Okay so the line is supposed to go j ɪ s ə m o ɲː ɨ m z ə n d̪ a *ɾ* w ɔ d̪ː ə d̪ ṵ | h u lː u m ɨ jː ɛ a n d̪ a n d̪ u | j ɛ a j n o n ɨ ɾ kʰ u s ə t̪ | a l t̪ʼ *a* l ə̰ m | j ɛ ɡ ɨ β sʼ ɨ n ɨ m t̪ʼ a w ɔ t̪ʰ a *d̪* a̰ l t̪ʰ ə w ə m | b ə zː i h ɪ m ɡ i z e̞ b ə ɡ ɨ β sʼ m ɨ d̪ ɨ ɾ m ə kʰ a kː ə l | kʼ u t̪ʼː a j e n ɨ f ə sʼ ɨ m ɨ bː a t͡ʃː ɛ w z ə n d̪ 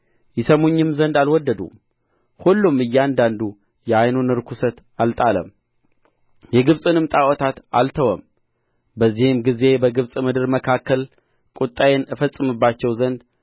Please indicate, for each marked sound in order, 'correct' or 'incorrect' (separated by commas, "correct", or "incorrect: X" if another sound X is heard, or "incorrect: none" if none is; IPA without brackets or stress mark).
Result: incorrect: l, correct, incorrect: t̪